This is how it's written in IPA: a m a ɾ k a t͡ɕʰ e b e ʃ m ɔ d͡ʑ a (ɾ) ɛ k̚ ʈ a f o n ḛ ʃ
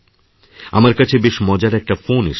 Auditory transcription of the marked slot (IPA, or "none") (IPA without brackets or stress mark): ɾ